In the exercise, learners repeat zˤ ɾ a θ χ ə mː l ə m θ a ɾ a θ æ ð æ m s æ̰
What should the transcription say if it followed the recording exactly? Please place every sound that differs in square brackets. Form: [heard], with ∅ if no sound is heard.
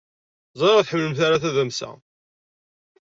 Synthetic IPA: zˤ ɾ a θ [ħ] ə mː l ə m θ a ɾ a θ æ ð æ m s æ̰